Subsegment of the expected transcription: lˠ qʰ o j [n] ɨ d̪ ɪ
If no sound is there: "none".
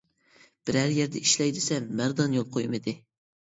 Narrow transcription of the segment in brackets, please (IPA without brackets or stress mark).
m